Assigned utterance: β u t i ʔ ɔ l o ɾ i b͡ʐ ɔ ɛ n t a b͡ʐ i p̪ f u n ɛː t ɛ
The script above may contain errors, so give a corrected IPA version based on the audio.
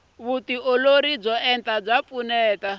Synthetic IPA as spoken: β u t i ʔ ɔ l o ɾ i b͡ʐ ɔ ɛ n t a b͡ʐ a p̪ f u n ɛː t a

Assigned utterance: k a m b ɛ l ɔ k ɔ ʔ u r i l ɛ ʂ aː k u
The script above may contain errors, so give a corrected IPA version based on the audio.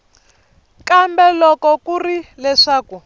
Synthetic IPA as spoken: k a m b ɛ l ɔ k ɔ k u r i l ɛ ʂ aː k u

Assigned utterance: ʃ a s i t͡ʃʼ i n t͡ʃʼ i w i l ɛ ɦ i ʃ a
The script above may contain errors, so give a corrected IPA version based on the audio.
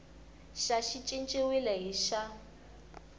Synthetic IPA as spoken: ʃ a ʃ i t͡ʃʼ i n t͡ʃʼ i w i l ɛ ɦ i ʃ a

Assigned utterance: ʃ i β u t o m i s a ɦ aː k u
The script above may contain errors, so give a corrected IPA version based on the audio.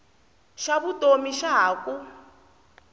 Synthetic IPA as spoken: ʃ a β u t o m i ʃ a ɦ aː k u

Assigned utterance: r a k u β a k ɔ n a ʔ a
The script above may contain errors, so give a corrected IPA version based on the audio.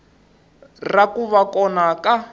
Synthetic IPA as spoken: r a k u β a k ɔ n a k a

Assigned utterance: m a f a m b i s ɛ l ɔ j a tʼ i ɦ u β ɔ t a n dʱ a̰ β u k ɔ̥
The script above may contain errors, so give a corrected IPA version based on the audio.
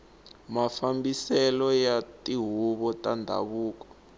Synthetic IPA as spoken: m a f a m b i s ɛ l ɔ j a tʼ i ɦ u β ɔ t a n dʱ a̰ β uː k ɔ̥

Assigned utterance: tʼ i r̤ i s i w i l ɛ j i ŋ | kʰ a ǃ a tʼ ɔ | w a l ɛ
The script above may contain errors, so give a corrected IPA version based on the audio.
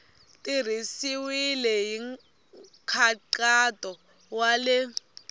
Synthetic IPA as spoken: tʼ i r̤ i s i w i l ɛ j i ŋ | kʰ a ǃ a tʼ ɔ | w a l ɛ

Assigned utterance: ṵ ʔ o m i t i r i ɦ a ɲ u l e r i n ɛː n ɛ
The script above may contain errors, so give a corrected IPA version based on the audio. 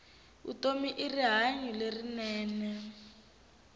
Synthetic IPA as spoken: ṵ t o m i ʔ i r i ɦ a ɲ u l e r i n ɛː n ɛ

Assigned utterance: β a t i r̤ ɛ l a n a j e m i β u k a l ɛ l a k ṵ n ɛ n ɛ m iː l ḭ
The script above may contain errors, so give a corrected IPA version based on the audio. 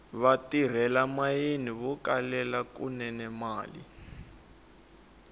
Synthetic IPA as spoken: β a t i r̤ ɛ l a m a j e n i β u k a l ɛ l a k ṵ n ɛ n ɛ m aː l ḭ

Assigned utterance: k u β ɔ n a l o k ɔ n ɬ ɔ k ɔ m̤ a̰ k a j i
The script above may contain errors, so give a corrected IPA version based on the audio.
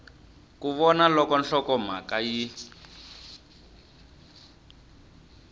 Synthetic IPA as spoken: k u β ɔ n a l ɔ k ɔ n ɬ ɔ k ɔ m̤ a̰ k a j i

